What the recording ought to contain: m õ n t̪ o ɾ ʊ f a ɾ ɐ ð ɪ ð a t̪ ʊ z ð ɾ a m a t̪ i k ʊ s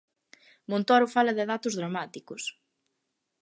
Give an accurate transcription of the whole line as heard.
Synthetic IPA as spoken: m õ n t̪ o ɾ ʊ f a l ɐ ð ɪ ð a t̪ ʊ z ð ɾ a m a t̪ i k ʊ s